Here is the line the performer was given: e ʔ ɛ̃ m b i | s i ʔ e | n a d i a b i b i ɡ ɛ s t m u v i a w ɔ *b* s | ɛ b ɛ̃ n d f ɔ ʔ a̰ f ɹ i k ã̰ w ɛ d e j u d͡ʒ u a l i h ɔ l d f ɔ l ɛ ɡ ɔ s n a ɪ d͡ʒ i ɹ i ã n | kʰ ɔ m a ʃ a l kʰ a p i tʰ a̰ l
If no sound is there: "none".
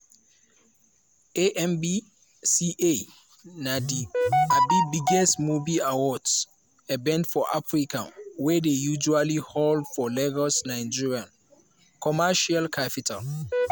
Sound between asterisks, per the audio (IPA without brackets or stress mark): d